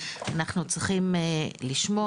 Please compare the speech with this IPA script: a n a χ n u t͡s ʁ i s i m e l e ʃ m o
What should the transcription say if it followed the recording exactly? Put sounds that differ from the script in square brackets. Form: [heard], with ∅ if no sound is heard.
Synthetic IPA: a n a χ n u t͡s ʁ i [χ] i m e l [i] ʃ m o